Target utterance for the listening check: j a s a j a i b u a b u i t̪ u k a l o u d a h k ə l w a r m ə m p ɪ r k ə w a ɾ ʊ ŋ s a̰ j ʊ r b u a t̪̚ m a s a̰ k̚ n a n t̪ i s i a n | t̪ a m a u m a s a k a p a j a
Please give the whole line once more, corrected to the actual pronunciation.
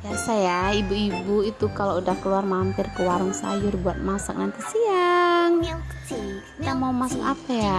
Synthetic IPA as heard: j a s a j a i b u i b u i t̪ u k a l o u d a h k ə l u a r m a m p ɪ r k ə w a ɾ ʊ ŋ s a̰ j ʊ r b u a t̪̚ m a s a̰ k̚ n a n t̪ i s i a ŋ | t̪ a m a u m a s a k a p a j a